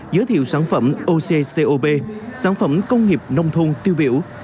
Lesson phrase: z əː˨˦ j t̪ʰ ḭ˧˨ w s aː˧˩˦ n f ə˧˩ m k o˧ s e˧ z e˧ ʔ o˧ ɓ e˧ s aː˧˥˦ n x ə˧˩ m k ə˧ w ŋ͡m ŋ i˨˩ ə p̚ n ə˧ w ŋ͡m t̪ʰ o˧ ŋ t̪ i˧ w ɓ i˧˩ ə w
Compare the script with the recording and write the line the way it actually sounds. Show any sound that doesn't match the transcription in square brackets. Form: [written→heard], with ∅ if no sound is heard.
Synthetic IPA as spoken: z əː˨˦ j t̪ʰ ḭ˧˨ w s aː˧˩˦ n f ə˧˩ m [k→ʔ] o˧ s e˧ [z→s] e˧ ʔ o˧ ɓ e˧ s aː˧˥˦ n [x→f] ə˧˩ m k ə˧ w ŋ͡m ŋ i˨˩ ə p̚ n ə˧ w ŋ͡m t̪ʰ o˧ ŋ t̪ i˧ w ɓ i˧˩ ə w

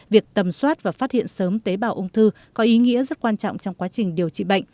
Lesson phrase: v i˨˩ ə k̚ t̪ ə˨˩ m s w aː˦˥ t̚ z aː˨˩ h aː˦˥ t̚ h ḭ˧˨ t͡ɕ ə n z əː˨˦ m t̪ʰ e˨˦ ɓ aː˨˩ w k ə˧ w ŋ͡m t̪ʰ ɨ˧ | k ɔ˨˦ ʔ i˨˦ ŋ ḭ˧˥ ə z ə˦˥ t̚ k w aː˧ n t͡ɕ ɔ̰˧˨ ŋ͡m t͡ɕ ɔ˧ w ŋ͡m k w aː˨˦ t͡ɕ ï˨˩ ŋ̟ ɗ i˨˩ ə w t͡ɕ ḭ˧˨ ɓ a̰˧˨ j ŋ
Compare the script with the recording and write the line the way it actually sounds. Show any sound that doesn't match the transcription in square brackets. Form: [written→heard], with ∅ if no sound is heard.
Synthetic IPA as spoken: v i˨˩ ə k̚ t̪ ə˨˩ m s w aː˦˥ t̚ [z→v] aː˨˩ [h→f] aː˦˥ t̚ h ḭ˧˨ [t͡ɕ→∅] ə n [z→s] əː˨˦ m [t̪ʰ→t̪] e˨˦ ɓ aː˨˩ w [k→ʔ] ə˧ w ŋ͡m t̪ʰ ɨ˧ | k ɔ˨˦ ʔ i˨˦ ŋ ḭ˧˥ ə z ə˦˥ t̚ k w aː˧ n t͡ɕ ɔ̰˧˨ ŋ͡m t͡ɕ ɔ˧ w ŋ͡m k w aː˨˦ t͡ɕ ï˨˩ ŋ̟ ɗ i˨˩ ə w t͡ɕ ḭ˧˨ ɓ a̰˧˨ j ŋ

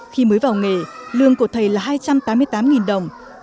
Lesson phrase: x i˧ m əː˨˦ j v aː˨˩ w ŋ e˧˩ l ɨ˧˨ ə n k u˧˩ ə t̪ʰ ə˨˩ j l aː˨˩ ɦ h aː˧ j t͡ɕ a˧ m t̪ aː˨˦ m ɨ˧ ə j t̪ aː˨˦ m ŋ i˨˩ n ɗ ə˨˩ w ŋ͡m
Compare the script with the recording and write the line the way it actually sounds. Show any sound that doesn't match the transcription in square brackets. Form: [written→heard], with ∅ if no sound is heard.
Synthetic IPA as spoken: x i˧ m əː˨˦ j v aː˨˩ w ŋ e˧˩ l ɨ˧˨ ə [n→ŋ] k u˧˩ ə t̪ʰ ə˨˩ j l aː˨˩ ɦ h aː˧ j t͡ɕ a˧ m t̪ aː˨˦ m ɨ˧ ə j t̪ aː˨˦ m ŋ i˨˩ n ɗ ə˨˩ w ŋ͡m

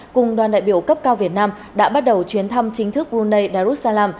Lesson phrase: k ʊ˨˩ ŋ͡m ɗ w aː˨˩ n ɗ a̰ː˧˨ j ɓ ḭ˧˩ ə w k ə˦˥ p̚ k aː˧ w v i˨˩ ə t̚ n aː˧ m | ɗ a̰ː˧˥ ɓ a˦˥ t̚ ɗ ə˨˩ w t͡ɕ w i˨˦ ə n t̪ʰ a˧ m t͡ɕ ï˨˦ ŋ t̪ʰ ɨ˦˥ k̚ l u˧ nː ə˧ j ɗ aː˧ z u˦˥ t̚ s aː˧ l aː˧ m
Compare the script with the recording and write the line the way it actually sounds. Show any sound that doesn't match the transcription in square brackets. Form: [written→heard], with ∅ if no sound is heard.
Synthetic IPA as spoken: k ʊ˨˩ ŋ͡m ɗ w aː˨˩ n ɗ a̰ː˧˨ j ɓ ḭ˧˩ ə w k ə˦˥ p̚ k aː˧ w v i˨˩ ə t̚ n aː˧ m | ɗ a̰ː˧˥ ɓ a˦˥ t̚ ɗ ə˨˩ w t͡ɕ w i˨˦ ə n t̪ʰ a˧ m t͡ɕ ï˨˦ ŋ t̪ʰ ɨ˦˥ k̚ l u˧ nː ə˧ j ɗ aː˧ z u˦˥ t̚ s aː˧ l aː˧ m

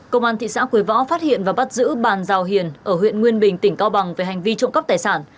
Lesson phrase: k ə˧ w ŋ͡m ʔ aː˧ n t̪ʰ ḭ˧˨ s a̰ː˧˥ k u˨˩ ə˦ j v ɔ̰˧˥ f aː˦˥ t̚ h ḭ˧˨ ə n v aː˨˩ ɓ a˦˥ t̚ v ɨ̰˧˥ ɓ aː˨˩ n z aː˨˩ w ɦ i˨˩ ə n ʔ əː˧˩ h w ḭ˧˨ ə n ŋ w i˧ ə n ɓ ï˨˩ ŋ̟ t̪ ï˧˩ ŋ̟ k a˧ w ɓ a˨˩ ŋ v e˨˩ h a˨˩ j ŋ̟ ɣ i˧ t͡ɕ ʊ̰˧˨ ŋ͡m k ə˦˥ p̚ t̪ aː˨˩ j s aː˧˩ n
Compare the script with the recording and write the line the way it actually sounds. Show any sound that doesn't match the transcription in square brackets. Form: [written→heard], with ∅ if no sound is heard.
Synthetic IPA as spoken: k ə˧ w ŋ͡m ʔ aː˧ n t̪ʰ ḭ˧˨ s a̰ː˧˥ k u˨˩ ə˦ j v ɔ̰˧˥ f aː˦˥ t̚ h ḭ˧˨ ə n v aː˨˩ ɓ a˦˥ t̚ [v→z] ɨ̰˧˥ ɓ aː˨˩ n z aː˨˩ w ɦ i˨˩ ə n ʔ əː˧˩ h w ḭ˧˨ ə n ŋ w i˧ ə n ɓ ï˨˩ ŋ̟ t̪ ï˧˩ ŋ̟ k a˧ w ɓ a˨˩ ŋ v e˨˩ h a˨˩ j ŋ̟ [ɣ→v] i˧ t͡ɕ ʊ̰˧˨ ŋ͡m k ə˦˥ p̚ t̪ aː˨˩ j s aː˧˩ n

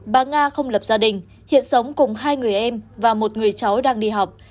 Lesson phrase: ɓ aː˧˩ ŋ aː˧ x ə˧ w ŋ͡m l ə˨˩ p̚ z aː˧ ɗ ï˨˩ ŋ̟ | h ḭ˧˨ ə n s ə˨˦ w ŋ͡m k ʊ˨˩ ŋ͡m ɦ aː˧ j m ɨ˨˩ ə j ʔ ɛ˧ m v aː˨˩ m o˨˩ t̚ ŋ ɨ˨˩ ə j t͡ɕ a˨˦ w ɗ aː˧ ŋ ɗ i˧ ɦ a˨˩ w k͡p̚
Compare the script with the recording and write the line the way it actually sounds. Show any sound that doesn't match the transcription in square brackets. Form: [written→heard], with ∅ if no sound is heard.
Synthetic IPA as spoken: ɓ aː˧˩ ŋ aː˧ x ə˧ w ŋ͡m l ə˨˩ p̚ z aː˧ ɗ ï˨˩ ŋ̟ | h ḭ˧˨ ə n s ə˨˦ w ŋ͡m k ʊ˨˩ ŋ͡m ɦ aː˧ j [m→ŋ] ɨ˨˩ ə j ʔ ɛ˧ m v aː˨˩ m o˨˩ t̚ ŋ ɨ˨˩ ə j t͡ɕ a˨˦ w ɗ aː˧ ŋ ɗ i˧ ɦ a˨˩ w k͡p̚

